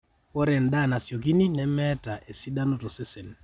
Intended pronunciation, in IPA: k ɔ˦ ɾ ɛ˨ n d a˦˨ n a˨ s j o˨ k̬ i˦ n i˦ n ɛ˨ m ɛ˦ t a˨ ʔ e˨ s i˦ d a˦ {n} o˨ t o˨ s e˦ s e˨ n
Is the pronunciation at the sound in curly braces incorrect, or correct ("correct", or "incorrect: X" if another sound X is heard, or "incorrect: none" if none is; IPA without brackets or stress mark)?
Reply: correct